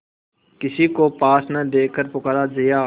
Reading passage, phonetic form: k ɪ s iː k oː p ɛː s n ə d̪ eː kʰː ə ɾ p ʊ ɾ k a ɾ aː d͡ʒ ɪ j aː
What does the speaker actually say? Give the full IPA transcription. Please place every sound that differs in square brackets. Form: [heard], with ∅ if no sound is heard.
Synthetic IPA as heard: k ɪ s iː k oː p [aː] s n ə d̪ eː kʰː ə ɾ p ʊ [∅] k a ɾ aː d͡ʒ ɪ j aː